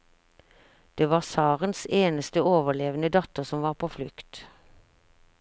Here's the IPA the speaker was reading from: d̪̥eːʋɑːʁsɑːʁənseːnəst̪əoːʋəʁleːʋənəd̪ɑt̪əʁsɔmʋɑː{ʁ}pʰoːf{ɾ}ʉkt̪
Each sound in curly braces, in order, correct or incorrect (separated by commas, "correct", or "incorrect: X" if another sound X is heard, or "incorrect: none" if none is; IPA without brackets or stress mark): correct, incorrect: l